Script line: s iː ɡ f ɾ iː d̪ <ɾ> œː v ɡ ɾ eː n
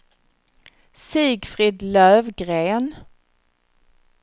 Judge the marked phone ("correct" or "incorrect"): incorrect